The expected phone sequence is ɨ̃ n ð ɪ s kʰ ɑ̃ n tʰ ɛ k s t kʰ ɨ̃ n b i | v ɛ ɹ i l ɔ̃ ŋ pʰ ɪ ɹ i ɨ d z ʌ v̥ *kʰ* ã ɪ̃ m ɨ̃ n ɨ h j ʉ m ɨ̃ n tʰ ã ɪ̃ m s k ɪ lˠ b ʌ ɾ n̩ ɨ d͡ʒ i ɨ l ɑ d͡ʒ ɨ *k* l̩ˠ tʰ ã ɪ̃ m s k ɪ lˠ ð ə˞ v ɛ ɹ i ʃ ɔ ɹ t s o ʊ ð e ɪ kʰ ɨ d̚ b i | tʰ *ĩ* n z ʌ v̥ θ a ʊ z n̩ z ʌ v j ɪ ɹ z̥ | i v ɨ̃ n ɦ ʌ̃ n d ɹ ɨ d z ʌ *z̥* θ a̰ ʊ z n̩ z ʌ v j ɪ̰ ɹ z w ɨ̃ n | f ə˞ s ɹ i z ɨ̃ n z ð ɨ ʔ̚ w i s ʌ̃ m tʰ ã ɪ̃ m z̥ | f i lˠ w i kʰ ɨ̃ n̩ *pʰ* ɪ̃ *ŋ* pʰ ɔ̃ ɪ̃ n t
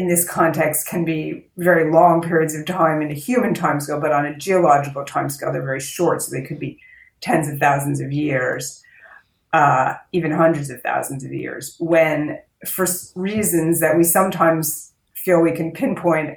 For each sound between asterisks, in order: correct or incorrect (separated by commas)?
incorrect, correct, incorrect, incorrect, correct, incorrect